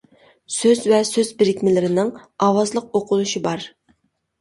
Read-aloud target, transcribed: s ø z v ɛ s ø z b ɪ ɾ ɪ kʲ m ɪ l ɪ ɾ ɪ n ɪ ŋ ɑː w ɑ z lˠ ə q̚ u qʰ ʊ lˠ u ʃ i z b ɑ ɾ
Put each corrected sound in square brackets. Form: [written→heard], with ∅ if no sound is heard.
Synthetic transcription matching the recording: s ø z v ɛ s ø z b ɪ ɾ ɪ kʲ m ɪ l ɪ ɾ ɪ n ɪ ŋ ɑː w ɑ z lˠ ə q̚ [u→o] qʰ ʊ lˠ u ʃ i [z→∅] b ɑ ɾ